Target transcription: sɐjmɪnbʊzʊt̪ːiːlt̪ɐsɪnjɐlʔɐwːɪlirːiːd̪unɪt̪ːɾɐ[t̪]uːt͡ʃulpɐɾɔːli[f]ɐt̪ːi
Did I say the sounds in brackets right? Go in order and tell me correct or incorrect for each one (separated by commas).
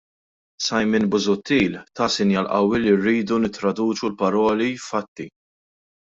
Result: incorrect, correct